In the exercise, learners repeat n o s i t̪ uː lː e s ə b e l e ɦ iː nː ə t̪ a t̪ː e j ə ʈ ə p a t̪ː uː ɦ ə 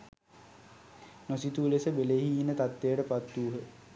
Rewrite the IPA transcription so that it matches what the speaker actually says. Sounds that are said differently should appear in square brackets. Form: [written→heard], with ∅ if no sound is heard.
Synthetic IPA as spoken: n o s i t̪ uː [lː→l] e s ə b e l e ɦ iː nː ə t̪ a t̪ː e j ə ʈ ə p a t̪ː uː ɦ ə